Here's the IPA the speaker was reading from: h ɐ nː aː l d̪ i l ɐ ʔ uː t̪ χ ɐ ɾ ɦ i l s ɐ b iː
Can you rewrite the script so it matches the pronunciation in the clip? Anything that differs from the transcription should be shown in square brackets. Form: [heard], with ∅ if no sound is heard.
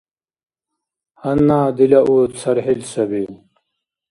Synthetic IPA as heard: h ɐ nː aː [∅] d̪ i l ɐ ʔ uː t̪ [s] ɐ ɾ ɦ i l s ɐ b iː